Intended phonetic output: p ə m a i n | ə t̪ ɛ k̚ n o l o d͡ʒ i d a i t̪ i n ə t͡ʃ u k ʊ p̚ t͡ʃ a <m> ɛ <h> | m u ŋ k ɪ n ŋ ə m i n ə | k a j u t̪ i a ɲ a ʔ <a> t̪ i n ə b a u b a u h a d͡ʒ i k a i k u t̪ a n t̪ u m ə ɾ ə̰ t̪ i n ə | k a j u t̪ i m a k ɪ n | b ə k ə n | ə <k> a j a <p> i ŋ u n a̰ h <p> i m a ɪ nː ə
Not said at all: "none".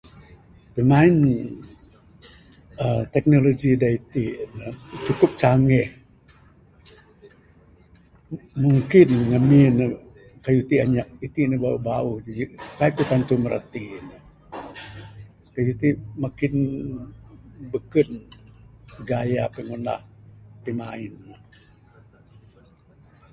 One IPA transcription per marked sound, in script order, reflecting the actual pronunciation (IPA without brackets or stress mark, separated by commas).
ŋ, h, i, ɡ, p, p